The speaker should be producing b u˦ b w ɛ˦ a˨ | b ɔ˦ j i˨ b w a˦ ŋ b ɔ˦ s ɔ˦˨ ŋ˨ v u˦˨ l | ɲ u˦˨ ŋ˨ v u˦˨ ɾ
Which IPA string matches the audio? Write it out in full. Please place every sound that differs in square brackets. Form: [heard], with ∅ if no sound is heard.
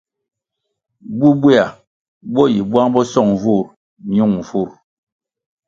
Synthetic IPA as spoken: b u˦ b w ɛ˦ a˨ | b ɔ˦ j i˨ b w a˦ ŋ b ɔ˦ s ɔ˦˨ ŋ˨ v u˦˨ [ɾ] | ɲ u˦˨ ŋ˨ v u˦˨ ɾ